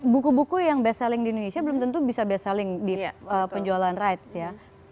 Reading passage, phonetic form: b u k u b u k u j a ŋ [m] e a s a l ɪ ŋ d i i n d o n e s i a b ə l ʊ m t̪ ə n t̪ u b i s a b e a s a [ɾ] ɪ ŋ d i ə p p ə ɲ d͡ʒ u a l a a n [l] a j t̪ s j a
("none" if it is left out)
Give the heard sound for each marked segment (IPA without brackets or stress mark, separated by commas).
b, l, r